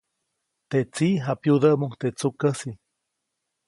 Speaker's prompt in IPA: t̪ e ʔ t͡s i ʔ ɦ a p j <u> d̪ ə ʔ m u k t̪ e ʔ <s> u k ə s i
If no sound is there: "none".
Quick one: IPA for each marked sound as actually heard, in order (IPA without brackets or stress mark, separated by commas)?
u, t͡s